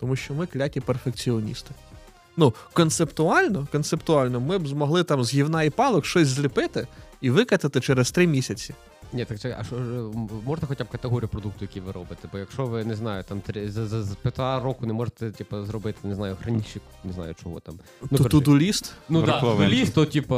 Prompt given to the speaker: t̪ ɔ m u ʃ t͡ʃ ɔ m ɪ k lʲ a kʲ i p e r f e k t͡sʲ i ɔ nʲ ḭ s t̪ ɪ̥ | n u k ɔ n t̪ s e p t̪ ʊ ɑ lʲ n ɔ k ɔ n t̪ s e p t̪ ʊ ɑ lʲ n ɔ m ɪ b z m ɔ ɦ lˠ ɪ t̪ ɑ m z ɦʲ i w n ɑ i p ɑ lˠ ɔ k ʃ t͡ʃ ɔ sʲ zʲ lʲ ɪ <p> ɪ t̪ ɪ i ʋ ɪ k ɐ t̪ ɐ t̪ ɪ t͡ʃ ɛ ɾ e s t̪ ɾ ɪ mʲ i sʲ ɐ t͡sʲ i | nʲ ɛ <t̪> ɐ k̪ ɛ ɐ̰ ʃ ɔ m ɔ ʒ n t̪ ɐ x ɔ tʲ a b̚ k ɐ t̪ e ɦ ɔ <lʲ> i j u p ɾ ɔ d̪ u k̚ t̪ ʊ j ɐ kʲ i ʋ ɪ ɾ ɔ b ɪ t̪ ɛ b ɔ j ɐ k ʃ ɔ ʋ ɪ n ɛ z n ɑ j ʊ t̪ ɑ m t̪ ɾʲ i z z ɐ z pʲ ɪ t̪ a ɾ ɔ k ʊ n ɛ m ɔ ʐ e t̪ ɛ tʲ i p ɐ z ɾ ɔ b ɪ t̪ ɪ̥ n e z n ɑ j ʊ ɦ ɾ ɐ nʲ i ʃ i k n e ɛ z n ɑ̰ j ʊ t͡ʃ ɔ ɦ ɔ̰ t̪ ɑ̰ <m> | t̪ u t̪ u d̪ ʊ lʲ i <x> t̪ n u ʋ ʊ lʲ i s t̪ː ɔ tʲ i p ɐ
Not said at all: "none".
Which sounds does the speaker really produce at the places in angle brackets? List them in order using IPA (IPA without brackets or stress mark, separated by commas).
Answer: p, t̪, ɾʲ, m, s